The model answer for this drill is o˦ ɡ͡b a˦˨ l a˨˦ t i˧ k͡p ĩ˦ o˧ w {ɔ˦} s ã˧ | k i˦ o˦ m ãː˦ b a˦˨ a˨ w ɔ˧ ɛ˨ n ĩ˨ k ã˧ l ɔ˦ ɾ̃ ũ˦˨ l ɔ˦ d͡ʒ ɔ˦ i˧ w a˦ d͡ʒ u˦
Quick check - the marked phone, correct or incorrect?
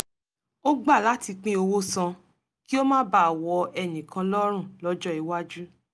incorrect